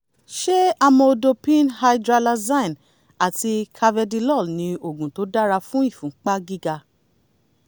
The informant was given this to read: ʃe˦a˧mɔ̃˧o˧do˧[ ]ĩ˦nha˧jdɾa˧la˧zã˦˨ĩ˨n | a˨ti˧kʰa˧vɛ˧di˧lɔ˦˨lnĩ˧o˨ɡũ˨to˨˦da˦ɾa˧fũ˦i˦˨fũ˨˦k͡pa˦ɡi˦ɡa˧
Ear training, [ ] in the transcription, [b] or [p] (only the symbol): p